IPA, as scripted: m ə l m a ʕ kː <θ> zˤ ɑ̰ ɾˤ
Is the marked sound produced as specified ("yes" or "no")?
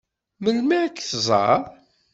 yes